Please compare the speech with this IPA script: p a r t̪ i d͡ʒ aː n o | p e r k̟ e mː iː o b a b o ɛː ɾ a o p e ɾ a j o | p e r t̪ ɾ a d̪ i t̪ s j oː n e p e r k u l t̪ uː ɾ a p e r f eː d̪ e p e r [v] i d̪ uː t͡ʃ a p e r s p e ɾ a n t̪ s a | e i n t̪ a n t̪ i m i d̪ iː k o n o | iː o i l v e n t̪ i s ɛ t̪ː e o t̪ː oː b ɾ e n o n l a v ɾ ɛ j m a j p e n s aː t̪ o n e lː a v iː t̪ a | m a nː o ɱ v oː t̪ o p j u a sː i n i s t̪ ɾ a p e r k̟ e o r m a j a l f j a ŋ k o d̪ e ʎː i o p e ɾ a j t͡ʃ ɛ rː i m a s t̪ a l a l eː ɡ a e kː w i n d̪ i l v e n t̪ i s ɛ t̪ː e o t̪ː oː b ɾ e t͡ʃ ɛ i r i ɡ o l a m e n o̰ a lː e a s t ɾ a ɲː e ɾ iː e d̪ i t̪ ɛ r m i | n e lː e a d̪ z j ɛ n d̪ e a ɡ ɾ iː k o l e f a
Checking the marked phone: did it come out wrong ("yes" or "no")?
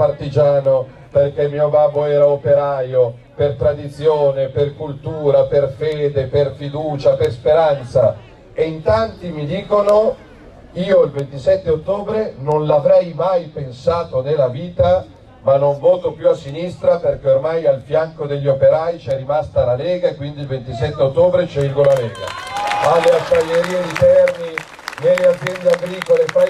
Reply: yes